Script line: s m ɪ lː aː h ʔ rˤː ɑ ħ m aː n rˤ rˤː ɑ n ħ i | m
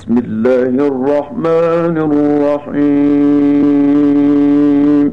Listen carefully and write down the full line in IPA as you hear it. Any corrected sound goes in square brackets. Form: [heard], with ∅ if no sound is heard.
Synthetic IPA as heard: s m ɪ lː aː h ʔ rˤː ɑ ħ m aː n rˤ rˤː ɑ [∅] ħ i | m